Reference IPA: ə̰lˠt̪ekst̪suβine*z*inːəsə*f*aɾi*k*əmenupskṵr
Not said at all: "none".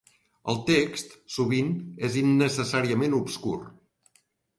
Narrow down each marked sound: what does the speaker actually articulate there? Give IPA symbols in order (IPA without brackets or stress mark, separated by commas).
z, s, none